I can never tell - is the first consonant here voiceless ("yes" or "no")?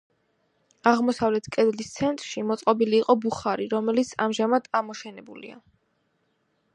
no